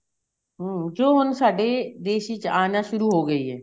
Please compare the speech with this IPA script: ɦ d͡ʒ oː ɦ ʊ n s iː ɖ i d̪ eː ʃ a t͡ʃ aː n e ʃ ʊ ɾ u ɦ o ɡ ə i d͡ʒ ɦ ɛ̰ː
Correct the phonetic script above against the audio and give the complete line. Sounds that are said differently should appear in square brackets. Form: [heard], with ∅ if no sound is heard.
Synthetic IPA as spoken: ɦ d͡ʒ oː ɦ ʊ n s [aː] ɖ [e] d̪ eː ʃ [i] t͡ʃ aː n [a] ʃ ʊ ɾ u ɦ o ɡ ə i [∅] ɦ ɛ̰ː